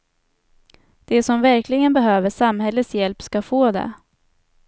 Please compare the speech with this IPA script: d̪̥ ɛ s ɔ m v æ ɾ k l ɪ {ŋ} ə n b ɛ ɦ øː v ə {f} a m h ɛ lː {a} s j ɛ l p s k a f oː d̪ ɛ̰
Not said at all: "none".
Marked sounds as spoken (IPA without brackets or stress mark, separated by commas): ɡ, ʂ, ə